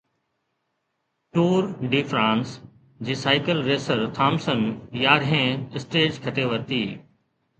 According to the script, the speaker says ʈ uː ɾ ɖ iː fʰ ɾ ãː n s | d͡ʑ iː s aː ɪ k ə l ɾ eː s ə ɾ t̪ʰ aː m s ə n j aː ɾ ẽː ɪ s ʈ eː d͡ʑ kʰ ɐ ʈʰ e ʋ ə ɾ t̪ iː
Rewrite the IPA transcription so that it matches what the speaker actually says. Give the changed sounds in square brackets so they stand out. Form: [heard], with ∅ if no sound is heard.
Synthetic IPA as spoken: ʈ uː ɾ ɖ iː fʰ ɾ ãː n s | d͡ʑ iː s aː ɪ k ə l ɾ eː s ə ɾ t̪ʰ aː m s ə n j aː ɾ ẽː ɪ s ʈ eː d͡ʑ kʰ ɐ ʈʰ e ʋ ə ɾ t̪ iː